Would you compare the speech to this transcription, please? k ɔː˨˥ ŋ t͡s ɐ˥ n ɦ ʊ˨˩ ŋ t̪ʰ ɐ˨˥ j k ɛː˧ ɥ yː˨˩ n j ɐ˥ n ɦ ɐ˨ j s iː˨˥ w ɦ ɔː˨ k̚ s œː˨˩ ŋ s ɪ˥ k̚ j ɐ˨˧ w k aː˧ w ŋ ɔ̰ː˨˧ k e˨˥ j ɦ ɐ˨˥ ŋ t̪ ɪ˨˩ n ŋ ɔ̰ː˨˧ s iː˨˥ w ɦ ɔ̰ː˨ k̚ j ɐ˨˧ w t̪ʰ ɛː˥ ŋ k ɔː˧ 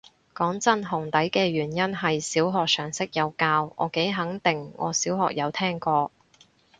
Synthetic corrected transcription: k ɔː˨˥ ŋ t͡s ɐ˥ n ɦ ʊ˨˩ ŋ t̪ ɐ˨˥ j k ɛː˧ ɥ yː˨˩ n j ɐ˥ n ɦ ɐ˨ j s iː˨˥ w ɦ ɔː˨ k̚ s œː˨˩ ŋ s ɪ˥ k̚ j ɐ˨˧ w k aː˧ w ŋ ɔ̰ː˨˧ k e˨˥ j ɦ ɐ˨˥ ŋ t̪ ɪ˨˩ ŋ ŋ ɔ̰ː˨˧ s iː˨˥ w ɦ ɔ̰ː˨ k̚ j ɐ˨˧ w t̪ʰ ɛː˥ ŋ k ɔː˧